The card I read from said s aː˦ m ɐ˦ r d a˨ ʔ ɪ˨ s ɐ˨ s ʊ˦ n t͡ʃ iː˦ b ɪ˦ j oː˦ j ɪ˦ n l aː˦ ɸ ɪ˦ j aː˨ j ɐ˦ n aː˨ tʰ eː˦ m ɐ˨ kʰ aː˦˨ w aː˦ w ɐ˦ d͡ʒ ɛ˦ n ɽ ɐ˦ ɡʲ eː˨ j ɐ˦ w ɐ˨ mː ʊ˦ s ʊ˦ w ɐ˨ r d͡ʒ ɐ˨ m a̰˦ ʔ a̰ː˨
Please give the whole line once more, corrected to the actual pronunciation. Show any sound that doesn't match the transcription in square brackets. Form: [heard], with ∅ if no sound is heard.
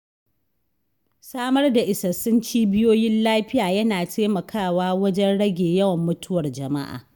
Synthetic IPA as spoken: s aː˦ m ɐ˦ r d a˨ ʔ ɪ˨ s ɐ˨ s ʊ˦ n t͡ʃ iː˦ b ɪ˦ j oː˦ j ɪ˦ n l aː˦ ɸ ɪ˦ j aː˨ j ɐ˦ n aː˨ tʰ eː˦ m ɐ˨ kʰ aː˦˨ w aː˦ w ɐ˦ d͡ʒ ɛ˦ n ɽ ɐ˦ ɡʲ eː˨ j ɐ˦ w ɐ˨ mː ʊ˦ [t] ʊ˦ w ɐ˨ r d͡ʒ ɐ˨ m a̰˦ ʔ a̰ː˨